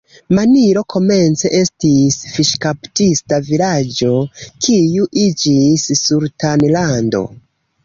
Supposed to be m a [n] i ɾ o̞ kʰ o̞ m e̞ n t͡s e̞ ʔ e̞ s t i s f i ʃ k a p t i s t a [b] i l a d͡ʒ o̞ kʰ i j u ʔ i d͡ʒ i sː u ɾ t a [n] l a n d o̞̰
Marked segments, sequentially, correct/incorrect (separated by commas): correct, incorrect, correct